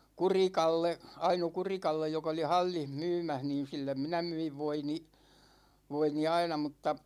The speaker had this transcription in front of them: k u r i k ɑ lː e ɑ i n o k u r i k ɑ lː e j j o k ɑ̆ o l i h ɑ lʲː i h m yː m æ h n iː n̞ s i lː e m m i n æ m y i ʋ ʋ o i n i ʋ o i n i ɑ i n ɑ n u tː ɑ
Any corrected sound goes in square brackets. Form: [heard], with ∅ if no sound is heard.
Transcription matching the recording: k u r i k ɑ lː e ɑ i n o k u r i k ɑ lː e j j o k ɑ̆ o l i h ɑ lʲː i h m yː m æ h n iː n̞ s i lː e m m i n æ m y i ʋ ʋ o i n i ʋ o i n i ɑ i n ɑ [m] u tː ɑ